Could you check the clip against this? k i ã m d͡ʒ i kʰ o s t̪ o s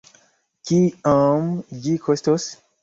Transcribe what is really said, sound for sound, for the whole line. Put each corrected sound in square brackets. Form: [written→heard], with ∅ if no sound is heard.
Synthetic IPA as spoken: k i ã m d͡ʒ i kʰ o s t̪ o s